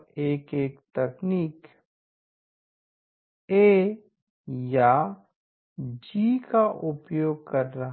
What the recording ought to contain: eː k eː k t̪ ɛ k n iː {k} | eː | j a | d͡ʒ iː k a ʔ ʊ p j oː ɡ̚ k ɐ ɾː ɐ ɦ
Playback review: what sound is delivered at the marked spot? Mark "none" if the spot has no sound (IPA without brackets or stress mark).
k